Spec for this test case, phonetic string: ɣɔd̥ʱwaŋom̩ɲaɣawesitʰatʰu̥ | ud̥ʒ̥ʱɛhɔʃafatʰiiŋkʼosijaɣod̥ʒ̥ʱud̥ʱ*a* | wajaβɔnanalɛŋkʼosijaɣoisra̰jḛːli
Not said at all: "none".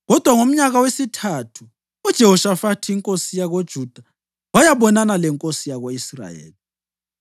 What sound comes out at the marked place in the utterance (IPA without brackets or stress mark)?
a